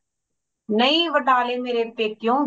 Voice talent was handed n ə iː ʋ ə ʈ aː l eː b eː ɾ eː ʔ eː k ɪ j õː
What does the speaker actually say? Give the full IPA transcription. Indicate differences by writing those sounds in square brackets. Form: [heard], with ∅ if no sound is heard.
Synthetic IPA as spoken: n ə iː ʋ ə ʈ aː l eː [m] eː ɾ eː [p] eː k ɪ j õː